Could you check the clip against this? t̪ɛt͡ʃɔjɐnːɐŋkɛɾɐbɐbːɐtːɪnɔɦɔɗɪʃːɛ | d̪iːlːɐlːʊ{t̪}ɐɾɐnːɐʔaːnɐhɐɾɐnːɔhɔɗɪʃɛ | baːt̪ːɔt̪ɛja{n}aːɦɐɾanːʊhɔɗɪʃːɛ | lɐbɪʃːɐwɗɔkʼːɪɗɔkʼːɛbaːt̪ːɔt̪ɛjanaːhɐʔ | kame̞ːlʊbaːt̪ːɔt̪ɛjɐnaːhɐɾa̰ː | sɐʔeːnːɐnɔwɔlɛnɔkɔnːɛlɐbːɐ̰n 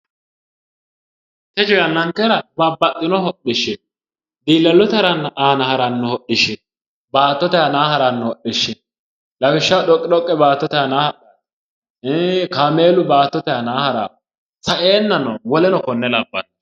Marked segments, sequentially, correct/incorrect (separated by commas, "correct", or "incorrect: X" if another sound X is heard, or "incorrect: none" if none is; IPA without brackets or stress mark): correct, correct